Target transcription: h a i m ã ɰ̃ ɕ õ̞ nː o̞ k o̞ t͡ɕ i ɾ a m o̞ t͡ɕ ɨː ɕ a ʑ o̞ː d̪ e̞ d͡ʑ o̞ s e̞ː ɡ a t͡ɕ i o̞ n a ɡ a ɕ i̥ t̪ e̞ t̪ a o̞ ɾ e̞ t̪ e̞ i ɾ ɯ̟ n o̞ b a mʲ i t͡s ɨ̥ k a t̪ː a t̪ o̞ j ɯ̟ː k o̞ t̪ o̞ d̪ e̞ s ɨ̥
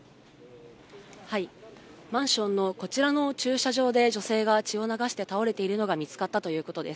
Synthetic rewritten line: h a i m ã ɰ̃ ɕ õ̞ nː o̞ k o̞ t͡ɕ i ɾ a n o̞ t͡ɕ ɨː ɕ a ʑ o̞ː d̪ e̞ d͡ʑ o̞ s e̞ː ɡ a t͡ɕ i o̞ n a ɡ a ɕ i̥ t̪ e̞ t̪ a o̞ ɾ e̞ t̪ e̞ i ɾ ɯ̟ n o̞ ɡ a mʲ i t͡s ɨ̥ k a t̪ː a t̪ o̞ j ɯ̟ː k o̞ t̪ o̞ d̪ e̞ s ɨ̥

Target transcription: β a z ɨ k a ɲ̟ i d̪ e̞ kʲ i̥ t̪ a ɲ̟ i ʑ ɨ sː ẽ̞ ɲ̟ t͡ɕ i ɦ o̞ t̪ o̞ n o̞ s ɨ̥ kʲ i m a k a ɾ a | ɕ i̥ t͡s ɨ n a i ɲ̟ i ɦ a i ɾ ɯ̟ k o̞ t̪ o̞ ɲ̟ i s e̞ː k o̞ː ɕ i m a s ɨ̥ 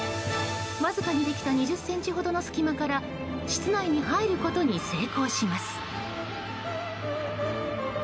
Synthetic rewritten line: β a z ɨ k a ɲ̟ i d̪ e̞ kʲ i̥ t̪ a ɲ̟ i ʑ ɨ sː ẽ̞ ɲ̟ t͡ɕ i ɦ o̞ d̪ o̞ n o̞ s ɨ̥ kʲ i m a k a ɾ a | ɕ i̥ t͡s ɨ n a i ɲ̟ i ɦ a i ɾ ɯ̟ k o̞ t̪ o̞ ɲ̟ i s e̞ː k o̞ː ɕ i m a s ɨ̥

